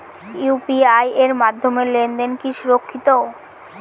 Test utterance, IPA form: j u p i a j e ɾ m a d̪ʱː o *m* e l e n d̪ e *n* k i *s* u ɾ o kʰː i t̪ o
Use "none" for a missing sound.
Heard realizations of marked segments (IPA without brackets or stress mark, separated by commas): m, n, ʃ